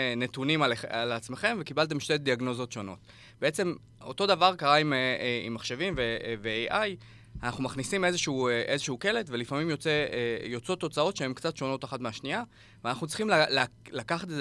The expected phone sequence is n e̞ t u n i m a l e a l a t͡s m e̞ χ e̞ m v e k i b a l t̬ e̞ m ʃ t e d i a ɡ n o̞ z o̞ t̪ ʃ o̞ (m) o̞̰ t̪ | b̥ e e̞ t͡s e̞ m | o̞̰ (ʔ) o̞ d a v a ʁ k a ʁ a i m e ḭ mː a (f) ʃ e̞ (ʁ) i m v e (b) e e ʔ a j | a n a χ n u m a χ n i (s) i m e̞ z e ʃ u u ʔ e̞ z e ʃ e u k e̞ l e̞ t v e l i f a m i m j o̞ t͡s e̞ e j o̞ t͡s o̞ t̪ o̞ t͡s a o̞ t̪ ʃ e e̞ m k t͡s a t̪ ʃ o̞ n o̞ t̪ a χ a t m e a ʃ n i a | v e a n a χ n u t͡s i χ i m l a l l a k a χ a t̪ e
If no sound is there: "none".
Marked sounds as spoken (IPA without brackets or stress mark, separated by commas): n, t, χ, v, v, s